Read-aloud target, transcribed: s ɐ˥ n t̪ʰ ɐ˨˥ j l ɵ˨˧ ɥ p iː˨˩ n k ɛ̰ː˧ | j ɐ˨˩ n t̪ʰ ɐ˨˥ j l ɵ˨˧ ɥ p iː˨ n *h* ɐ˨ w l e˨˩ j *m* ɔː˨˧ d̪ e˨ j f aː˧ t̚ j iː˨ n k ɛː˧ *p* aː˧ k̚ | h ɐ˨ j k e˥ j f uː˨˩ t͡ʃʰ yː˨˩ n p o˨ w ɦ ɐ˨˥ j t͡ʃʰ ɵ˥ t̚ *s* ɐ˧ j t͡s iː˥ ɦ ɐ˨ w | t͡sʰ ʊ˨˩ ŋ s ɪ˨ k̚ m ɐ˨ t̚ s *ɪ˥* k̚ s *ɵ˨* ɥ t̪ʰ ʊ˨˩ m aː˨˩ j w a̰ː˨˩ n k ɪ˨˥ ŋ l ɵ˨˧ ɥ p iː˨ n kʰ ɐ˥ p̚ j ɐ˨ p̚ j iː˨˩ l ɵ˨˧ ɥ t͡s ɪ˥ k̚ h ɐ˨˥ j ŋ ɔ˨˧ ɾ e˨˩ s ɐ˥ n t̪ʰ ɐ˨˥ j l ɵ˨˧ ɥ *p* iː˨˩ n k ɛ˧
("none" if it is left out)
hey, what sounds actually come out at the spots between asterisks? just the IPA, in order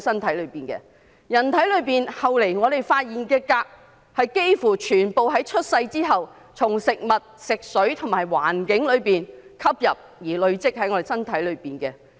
h, ŋ, k, s, ɪ˨, ɵ˨˥, p

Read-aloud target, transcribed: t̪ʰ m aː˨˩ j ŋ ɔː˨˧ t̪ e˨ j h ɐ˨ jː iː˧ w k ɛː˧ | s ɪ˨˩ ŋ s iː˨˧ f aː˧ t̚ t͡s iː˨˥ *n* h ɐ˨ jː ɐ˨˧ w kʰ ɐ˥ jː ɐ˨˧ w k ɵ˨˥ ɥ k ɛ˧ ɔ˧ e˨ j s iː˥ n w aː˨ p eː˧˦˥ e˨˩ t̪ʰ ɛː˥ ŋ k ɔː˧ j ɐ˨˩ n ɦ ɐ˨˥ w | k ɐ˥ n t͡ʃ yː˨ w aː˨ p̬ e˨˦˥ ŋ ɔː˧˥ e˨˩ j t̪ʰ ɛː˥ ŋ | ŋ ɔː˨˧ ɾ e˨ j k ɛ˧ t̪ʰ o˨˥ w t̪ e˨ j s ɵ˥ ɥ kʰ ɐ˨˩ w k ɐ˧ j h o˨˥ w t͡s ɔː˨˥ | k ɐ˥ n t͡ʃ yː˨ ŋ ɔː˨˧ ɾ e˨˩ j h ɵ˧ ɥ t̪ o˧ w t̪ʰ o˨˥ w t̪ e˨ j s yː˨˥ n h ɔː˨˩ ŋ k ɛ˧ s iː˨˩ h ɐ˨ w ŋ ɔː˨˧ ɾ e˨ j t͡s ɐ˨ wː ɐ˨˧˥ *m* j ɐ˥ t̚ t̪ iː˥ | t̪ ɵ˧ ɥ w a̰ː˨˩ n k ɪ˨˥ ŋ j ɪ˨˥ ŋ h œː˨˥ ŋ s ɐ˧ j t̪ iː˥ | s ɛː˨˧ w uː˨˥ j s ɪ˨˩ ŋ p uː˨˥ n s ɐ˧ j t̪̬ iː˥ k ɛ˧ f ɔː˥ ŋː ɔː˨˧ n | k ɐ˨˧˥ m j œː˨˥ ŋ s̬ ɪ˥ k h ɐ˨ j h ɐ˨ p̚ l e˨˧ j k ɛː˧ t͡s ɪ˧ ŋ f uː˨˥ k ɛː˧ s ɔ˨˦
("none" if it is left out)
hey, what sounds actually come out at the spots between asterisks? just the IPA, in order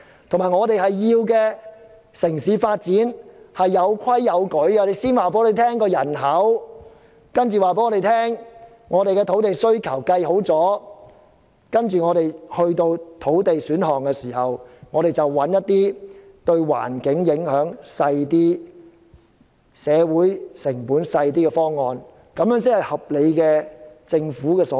n, n

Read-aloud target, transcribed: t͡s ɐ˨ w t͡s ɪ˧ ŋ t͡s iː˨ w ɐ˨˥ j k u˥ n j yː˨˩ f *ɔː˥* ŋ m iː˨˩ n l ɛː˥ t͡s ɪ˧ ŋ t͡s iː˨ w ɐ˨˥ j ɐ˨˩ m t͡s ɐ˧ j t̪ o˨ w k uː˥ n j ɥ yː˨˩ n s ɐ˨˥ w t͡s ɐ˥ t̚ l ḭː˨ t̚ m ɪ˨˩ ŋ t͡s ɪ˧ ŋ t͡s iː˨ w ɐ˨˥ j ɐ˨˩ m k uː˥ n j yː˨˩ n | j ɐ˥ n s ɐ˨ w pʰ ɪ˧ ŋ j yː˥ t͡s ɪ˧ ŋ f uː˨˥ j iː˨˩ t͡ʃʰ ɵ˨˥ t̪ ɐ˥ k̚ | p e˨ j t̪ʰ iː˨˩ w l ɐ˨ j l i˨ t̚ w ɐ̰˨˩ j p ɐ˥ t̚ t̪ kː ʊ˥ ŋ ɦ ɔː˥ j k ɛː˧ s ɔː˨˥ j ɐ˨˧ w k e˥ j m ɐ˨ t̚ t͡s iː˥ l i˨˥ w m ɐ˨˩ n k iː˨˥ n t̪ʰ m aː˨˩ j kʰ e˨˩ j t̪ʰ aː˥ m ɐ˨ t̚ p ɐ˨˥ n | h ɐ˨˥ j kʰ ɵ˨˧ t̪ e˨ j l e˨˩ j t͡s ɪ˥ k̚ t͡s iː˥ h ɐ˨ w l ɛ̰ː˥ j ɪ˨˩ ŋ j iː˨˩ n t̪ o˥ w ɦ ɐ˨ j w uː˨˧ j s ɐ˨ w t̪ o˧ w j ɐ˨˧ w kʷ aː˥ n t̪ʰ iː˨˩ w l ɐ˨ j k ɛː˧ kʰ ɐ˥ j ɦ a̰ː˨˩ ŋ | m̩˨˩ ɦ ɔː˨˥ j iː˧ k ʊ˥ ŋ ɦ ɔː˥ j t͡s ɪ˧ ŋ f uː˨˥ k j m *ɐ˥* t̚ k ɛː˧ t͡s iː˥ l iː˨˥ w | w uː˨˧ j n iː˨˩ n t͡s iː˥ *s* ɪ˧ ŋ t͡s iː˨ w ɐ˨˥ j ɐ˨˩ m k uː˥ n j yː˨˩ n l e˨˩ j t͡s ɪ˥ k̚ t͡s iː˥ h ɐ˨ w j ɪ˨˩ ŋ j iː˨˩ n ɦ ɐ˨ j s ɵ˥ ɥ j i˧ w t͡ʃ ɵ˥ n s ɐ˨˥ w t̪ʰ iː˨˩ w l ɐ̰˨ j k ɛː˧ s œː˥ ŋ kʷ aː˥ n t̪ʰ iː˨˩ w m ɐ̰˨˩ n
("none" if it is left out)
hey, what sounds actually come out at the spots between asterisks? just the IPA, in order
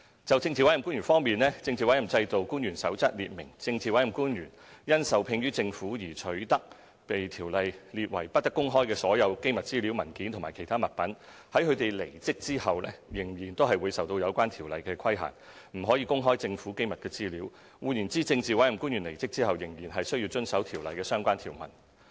ɔː˥, ɐ˨, t͡s

